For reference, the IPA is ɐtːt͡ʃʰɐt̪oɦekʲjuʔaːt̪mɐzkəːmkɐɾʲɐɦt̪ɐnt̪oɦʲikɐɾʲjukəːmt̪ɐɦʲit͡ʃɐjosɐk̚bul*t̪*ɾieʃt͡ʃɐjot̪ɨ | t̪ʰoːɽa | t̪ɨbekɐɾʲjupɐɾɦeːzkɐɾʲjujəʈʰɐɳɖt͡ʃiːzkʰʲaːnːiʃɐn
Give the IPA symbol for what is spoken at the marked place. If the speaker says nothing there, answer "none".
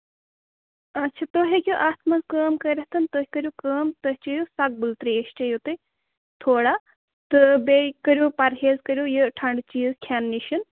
t̪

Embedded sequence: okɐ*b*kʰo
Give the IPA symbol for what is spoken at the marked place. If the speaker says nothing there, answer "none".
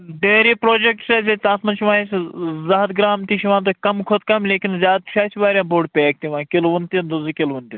m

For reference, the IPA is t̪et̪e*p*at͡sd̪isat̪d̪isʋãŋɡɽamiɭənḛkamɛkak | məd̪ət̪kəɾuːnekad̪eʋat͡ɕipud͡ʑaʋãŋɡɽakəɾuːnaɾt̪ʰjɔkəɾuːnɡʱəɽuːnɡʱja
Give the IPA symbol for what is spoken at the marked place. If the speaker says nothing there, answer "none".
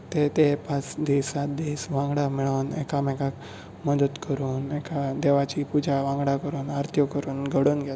p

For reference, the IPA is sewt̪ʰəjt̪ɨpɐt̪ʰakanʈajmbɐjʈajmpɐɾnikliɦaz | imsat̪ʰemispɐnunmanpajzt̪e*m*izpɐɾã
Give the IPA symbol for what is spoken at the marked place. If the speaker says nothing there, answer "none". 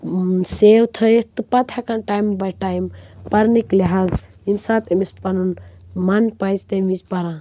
m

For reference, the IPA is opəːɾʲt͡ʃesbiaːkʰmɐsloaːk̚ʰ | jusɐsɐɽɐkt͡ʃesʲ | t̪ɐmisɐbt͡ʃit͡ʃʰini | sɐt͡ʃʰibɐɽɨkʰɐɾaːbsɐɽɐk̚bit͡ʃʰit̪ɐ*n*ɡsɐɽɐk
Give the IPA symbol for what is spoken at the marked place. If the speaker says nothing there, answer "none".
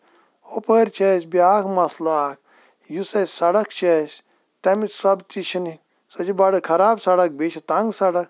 ŋ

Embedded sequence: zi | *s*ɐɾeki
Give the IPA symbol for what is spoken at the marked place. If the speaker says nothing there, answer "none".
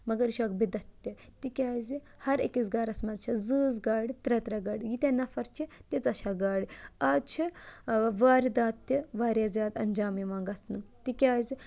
h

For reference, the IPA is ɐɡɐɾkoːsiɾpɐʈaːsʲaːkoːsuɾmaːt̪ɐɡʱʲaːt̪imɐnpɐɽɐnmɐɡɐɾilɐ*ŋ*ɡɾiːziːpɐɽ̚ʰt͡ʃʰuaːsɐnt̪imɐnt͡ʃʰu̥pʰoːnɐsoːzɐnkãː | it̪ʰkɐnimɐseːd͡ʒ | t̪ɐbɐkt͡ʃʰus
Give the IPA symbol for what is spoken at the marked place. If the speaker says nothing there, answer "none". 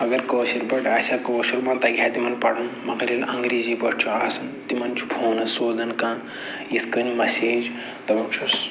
ŋ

